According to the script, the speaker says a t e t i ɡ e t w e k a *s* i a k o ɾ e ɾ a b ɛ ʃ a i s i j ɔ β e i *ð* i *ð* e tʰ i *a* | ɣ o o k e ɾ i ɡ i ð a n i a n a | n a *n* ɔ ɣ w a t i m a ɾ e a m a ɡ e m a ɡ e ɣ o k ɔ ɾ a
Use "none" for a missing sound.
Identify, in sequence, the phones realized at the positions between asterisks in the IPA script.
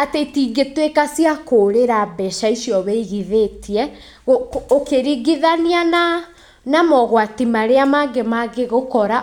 s, ɣ, ð, ɛ, m

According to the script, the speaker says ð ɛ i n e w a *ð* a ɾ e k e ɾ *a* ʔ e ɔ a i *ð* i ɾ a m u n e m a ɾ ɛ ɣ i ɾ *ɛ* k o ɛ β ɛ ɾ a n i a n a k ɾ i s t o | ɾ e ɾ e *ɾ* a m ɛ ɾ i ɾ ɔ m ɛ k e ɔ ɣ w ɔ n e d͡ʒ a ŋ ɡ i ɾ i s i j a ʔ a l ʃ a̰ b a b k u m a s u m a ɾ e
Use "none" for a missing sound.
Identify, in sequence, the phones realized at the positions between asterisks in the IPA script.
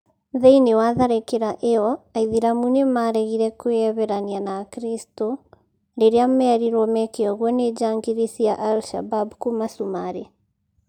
ð, a, ð, ɛ, none

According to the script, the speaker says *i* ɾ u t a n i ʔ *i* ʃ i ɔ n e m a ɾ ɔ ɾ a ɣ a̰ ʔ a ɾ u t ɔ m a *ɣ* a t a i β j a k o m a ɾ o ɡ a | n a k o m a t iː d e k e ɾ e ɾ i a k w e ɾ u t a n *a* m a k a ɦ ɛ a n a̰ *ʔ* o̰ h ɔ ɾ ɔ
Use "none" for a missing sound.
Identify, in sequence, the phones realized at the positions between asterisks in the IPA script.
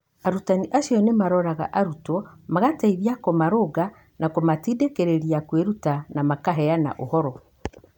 a, a, ɣ, a, ʔ

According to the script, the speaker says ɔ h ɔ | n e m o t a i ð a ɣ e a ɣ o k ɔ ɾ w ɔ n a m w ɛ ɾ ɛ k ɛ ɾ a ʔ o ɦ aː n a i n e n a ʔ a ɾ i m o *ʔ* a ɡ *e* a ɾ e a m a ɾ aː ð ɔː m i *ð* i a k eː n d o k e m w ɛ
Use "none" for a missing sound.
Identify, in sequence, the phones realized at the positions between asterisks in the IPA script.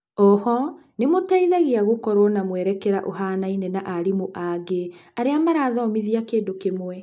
ʔ, e, ð

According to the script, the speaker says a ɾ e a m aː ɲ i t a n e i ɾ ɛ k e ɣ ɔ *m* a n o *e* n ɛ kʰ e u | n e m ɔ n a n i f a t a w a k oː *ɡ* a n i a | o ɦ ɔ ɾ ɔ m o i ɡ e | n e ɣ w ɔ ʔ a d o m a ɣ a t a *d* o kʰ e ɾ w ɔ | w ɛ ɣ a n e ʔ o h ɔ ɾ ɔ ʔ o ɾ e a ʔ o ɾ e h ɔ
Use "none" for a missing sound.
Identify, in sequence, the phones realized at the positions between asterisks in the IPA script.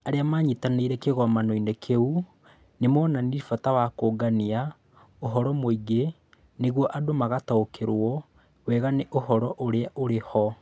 m, i, ɡ, none

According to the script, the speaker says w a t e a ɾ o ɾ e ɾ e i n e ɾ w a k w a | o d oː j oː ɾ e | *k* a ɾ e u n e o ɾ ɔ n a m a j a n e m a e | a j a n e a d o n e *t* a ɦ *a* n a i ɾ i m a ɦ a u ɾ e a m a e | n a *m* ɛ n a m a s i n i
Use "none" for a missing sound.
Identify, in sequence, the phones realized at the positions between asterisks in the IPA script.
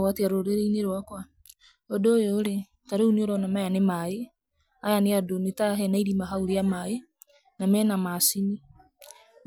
t, t, ɛ, m

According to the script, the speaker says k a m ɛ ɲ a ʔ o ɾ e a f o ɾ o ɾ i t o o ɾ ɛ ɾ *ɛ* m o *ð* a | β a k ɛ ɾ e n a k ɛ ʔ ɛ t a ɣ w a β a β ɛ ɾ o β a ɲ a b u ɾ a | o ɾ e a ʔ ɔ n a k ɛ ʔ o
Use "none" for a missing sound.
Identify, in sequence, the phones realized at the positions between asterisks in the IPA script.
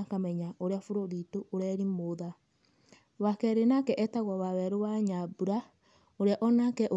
i, ð

